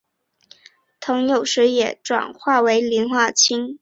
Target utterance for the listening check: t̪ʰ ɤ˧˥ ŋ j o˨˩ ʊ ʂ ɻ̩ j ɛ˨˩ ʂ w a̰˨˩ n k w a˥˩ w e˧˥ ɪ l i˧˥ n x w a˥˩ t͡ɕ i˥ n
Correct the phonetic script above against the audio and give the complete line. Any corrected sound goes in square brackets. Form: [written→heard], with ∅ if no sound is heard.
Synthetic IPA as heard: t̪ʰ ɤ˧˥ ŋ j o˨˩ ʊ ʂ ɻ̩ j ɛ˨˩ [ʂ→ʈ͡ʂ] w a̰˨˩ n [k→x] w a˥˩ w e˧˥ ɪ l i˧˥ n x w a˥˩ [t͡ɕ→t͡ɕʰ] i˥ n